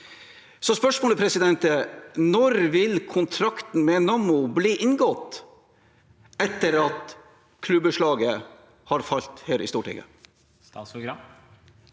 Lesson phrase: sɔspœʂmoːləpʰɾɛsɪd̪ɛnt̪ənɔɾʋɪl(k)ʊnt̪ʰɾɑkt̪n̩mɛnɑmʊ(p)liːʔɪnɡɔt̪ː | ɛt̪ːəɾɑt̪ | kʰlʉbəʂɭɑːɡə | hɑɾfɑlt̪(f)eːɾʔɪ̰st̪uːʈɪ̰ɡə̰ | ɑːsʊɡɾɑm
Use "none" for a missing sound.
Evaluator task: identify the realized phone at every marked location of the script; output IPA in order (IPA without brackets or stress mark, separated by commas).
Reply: kʰ, b, h